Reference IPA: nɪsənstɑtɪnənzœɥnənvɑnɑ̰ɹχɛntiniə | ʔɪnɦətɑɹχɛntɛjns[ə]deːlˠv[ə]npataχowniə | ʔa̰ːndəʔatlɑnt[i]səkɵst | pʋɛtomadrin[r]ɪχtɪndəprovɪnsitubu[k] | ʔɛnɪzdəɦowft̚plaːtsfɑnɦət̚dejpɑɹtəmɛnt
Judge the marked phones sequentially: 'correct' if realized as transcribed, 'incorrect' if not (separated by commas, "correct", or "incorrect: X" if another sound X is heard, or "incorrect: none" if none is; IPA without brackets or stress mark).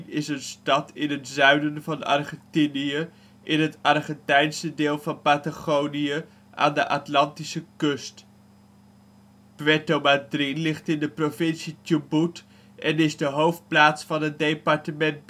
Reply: correct, incorrect: ɑ, correct, incorrect: l, incorrect: t